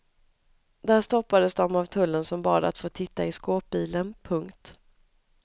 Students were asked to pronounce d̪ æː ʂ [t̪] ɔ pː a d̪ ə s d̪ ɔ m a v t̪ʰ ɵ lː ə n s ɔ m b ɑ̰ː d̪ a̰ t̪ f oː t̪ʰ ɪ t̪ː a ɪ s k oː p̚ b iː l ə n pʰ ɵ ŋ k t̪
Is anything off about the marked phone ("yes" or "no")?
no